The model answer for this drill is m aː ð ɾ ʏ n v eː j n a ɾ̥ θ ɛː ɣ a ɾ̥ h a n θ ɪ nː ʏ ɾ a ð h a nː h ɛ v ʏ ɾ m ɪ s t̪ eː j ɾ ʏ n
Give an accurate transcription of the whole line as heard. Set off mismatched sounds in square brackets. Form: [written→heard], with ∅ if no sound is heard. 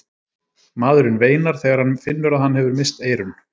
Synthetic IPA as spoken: m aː ð ɾ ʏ n v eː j n a ɾ̥ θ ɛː ɣ a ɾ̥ h a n [θ→f] ɪ nː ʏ ɾ a ð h a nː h ɛ v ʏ ɾ m ɪ s t̪ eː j ɾ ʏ n